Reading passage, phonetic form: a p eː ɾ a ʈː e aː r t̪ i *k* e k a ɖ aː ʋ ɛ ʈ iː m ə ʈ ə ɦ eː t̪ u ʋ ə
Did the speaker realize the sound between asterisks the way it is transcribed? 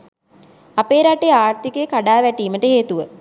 yes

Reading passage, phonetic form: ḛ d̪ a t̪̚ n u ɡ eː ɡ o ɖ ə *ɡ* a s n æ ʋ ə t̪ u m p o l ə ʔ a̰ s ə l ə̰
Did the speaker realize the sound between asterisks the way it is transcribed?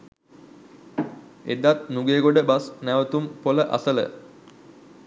no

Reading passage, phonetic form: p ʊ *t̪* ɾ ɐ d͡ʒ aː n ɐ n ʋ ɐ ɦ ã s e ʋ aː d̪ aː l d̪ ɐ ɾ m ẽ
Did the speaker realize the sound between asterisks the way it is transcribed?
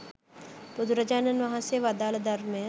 no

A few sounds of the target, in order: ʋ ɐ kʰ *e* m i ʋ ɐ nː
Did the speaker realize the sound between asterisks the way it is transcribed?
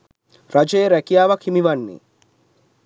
no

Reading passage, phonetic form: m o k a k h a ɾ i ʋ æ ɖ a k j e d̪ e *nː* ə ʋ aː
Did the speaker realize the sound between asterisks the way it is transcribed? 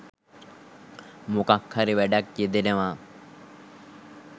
no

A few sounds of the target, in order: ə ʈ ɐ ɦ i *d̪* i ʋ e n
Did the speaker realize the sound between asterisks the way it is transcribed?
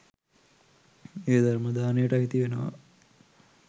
no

